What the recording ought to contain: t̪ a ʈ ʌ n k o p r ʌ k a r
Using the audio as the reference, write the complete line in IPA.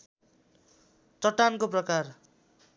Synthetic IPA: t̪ ʌ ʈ a n k o p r ʌ k a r